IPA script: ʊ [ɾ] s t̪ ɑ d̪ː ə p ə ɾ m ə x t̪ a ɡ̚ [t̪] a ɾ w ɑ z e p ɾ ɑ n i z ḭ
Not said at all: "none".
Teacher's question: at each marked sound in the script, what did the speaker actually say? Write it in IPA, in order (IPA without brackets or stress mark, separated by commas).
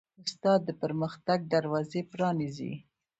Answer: none, d̪